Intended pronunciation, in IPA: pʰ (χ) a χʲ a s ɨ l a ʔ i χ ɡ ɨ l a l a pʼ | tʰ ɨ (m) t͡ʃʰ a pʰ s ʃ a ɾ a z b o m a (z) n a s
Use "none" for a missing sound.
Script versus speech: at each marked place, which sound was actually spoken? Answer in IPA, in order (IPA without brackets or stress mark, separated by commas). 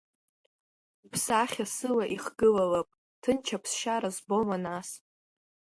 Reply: s, n, none